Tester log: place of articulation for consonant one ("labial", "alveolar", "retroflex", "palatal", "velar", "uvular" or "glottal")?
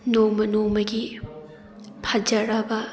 alveolar